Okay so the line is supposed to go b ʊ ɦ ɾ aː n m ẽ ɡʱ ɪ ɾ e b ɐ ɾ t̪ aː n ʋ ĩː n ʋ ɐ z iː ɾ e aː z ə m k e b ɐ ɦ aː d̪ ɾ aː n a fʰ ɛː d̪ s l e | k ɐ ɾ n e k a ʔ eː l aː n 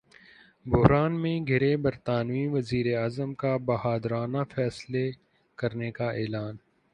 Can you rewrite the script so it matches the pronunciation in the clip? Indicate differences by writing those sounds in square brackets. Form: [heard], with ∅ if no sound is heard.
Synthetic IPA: b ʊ ɦ ɾ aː n m ẽ ɡʱ ɪ ɾ e b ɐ ɾ t̪ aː n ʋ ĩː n ʋ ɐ z iː ɾ e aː z ə m k [a] b ɐ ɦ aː d̪ ɾ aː n a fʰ ɛː [∅] s l e | k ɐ ɾ n e k a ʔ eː l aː n